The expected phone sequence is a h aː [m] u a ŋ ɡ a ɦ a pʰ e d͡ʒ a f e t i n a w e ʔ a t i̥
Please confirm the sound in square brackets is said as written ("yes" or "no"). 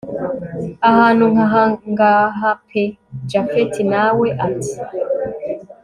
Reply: no